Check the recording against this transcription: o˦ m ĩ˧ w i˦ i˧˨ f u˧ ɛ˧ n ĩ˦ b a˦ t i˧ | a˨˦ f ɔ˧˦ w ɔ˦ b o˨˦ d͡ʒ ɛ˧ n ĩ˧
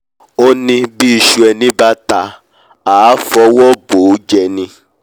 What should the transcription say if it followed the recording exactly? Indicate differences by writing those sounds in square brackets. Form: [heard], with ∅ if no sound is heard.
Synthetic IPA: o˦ [n] ĩ˧ [b] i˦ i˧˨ [ʃ] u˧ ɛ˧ n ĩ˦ b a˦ t [a˧] | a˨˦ f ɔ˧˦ w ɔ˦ b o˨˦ d͡ʒ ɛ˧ n ĩ˧